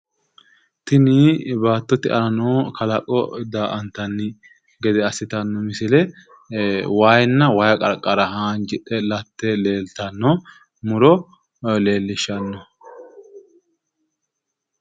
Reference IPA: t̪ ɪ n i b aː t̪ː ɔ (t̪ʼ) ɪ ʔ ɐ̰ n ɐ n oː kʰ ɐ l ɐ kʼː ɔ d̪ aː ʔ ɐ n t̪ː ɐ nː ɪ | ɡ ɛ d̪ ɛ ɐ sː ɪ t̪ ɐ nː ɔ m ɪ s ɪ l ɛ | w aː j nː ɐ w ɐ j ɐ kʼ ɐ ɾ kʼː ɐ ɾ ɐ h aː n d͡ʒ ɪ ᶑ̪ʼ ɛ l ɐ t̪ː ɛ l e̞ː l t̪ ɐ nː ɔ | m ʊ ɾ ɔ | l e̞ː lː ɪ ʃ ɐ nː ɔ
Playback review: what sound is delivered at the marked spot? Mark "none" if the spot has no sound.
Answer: t̪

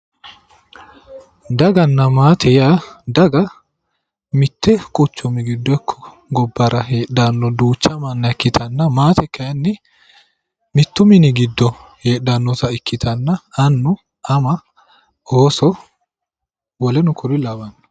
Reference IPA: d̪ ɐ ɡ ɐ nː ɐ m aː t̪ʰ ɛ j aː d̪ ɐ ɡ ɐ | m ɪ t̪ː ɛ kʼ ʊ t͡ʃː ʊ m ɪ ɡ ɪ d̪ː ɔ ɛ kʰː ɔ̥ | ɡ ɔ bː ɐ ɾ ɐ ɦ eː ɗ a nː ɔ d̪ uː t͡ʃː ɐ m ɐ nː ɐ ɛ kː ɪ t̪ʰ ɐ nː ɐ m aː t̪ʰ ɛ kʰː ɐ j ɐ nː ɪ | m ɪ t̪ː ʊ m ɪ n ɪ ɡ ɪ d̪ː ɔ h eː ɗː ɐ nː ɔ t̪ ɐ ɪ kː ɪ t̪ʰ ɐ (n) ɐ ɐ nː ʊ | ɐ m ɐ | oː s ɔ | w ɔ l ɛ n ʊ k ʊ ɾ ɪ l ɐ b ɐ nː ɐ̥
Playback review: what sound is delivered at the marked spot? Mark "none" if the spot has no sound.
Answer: nː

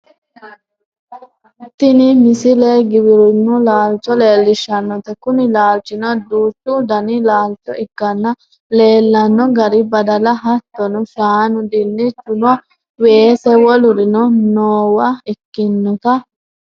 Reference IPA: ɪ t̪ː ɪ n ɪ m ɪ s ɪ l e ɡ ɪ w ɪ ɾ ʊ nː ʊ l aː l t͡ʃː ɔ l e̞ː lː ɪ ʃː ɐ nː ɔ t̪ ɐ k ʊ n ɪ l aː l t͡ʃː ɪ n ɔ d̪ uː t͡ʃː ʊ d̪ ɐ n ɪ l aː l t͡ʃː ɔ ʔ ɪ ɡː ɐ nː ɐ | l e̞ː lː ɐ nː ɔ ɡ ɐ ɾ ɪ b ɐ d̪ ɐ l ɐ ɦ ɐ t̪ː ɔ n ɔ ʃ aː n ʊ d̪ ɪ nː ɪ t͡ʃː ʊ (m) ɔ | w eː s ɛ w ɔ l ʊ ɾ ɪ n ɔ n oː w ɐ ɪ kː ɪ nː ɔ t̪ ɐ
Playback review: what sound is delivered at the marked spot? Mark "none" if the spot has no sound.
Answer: n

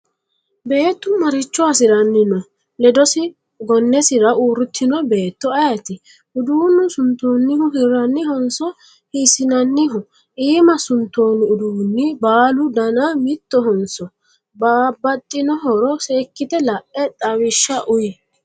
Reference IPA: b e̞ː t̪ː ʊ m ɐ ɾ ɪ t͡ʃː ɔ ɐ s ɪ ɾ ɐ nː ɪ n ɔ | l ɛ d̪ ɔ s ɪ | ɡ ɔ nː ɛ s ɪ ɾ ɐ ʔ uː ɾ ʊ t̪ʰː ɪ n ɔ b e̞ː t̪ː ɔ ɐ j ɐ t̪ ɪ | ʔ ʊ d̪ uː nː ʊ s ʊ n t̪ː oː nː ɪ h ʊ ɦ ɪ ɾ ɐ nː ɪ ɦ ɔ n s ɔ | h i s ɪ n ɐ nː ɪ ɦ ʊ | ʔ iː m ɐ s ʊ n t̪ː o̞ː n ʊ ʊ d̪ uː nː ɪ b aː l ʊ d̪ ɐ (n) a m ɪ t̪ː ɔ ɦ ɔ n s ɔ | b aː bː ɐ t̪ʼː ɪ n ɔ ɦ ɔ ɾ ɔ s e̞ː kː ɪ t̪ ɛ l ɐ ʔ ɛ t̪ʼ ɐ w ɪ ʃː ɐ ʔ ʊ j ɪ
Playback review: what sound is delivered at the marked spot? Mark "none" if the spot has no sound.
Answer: n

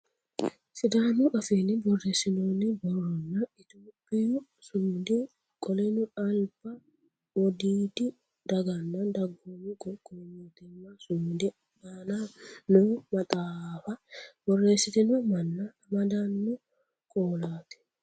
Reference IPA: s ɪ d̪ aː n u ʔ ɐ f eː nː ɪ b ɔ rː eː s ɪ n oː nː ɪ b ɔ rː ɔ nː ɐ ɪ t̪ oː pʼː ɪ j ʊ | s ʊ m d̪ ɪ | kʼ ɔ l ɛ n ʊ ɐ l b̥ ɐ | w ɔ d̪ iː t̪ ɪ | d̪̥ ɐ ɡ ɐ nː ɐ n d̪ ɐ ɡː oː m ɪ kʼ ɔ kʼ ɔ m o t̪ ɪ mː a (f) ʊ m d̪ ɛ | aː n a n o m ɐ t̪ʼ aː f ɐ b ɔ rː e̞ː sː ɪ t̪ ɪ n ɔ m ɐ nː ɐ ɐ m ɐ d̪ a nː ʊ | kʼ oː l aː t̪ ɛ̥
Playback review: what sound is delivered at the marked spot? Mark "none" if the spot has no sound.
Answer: s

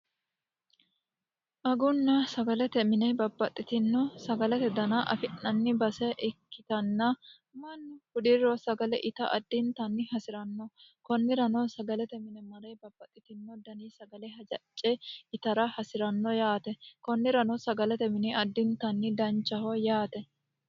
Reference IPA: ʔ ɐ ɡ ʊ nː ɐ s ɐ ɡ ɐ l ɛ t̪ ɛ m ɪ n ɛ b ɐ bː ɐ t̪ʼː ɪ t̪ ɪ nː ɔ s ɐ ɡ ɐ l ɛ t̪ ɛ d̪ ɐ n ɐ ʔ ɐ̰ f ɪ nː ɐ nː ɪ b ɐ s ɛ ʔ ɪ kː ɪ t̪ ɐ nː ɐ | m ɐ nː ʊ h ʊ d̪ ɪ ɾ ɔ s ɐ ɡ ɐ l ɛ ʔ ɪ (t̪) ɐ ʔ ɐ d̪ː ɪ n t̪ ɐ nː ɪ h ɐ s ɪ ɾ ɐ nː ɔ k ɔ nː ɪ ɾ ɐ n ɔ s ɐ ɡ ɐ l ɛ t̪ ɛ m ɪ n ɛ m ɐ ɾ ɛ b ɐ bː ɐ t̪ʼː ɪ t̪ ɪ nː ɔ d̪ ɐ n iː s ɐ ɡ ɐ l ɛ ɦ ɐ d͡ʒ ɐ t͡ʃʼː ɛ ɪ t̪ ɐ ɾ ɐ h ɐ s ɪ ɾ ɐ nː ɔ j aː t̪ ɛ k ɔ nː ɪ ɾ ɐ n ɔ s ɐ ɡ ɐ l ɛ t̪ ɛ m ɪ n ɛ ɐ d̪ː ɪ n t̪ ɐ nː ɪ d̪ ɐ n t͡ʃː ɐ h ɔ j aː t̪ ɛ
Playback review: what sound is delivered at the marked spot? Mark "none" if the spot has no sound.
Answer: t̪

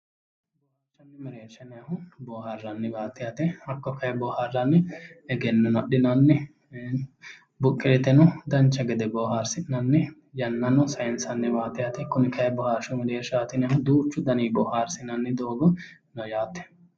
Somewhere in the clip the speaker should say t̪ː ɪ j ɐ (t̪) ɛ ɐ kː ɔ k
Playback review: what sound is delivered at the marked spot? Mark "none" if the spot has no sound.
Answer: t̪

